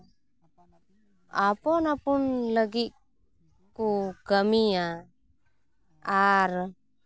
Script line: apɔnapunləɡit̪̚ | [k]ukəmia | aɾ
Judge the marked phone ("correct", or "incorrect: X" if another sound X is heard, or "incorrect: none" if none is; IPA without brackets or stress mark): correct